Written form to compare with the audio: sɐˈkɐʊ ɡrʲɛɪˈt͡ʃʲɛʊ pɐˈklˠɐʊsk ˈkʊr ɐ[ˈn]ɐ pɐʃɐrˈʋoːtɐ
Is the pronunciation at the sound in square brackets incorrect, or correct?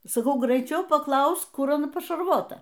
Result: correct